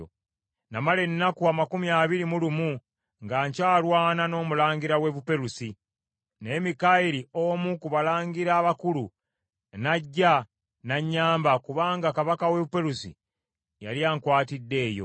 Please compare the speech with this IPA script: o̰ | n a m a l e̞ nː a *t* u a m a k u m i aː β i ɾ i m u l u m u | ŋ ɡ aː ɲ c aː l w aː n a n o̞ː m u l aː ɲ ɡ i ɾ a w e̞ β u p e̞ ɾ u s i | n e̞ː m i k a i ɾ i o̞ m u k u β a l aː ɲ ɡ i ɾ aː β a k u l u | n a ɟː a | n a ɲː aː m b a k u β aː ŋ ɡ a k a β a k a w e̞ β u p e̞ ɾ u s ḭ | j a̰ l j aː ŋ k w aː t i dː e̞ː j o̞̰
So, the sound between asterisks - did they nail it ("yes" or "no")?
no